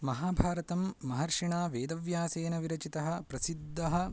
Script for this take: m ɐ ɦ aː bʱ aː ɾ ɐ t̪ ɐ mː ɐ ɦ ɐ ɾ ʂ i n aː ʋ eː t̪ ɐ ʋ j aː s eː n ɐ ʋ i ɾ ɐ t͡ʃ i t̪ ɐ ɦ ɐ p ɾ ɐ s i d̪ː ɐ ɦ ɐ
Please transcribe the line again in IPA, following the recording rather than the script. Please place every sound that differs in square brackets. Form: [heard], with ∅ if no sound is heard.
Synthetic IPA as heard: m ɐ ɦ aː bʱ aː ɾ ɐ t̪ ɐ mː ɐ ɦ ɐ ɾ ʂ i [ɳ] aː ʋ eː [d̪] ɐ ʋ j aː s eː n ɐ ʋ i ɾ ɐ t͡ʃ i t̪ ɐ ɦ ɐ p ɾ ɐ s i d̪ː ɐ ɦ ɐ